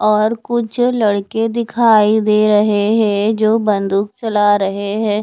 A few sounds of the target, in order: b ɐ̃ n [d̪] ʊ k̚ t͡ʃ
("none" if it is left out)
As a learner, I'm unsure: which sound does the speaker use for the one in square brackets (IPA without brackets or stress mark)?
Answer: d̪